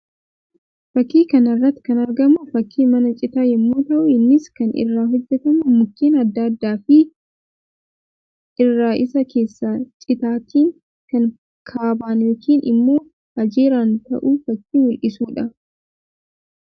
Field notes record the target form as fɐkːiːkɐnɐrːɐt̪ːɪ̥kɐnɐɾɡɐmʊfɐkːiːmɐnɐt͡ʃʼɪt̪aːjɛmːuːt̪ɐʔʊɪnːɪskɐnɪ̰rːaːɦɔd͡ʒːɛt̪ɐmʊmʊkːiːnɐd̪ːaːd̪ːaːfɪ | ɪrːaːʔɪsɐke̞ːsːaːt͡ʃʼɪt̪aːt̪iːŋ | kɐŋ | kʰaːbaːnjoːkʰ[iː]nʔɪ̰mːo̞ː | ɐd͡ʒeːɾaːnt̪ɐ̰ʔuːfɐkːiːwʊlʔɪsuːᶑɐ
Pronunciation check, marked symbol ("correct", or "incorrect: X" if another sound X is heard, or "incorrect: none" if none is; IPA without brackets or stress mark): correct